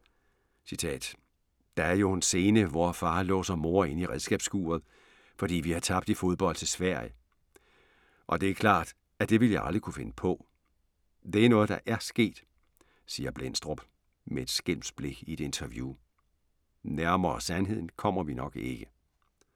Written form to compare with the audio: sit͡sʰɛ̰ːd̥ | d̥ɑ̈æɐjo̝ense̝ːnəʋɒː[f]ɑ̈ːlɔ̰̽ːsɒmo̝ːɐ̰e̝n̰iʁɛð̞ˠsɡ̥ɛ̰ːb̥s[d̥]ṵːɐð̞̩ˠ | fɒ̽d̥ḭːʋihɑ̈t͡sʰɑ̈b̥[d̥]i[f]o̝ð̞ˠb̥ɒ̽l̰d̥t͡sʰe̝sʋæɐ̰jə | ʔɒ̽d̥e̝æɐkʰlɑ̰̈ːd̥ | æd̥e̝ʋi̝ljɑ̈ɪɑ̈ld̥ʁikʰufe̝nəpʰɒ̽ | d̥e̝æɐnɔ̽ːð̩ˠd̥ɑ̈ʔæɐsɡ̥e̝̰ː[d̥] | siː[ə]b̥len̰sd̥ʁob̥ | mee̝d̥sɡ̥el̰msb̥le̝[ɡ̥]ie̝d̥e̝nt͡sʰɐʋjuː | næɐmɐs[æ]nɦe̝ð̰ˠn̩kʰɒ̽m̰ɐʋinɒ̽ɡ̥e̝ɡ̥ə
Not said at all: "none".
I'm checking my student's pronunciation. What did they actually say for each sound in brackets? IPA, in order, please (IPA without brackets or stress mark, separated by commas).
f, ɡ̥, d̥, f, d̥, ɐ, ɡ̥, æ